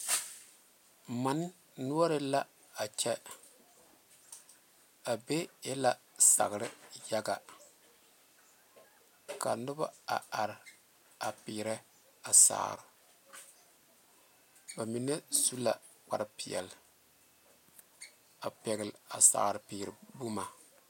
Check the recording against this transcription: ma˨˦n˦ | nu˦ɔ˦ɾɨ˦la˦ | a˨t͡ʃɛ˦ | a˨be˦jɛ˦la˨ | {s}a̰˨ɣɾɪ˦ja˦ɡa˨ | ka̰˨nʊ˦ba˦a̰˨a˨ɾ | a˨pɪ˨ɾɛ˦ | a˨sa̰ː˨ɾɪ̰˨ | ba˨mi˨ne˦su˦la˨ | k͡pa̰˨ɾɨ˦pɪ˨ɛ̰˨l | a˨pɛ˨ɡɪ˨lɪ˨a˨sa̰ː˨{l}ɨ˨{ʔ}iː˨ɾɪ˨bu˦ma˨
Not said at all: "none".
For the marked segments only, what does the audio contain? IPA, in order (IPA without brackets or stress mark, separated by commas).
s, ɾ, p